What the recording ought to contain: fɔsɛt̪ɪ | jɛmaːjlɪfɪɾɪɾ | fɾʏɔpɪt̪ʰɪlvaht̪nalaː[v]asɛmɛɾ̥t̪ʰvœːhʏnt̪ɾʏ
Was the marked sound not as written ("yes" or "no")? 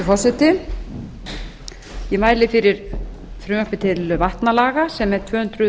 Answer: yes